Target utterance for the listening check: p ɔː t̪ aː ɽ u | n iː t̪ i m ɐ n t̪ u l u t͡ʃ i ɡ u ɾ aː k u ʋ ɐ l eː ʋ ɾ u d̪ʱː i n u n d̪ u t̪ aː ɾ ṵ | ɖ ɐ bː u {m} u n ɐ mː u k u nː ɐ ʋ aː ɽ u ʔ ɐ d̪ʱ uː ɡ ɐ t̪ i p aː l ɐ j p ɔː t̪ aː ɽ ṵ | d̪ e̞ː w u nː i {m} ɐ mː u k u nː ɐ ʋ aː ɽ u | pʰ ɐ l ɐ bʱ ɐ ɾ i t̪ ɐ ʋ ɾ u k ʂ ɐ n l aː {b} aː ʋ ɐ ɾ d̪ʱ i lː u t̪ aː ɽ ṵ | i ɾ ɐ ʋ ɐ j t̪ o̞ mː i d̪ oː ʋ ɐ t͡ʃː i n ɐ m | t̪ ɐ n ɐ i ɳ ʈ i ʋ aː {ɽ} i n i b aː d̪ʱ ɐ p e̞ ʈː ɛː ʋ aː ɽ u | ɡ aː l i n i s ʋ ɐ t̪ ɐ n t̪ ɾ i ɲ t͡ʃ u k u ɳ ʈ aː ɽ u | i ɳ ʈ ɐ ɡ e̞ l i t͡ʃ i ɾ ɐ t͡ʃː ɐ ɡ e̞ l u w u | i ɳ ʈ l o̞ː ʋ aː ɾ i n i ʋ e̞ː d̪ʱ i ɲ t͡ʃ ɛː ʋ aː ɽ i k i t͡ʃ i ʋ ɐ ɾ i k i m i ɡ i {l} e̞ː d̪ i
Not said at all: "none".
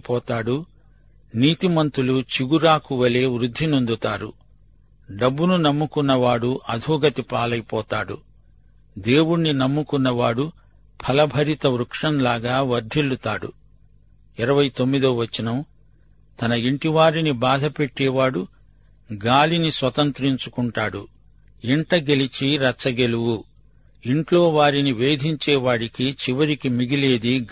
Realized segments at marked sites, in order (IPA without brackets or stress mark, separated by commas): n, n, ɡ, ɾ, l